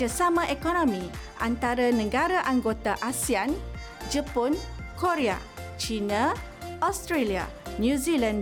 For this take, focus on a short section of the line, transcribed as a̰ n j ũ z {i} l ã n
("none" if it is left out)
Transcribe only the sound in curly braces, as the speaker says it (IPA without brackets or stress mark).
i